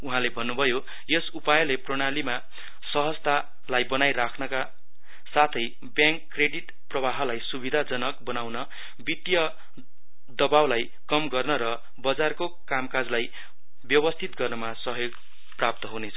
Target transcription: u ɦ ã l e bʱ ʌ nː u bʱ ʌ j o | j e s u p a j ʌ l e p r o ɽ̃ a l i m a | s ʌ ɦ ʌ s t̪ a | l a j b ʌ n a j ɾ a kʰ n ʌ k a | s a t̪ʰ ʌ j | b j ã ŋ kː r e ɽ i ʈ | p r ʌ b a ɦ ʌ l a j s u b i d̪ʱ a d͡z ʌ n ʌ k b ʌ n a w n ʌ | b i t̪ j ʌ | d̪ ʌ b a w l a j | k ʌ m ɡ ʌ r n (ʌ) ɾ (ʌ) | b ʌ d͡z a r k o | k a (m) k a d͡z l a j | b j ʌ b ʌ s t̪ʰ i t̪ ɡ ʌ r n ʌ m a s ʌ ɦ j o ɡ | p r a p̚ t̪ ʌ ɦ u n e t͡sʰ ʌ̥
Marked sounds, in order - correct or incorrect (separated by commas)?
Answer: correct, correct, correct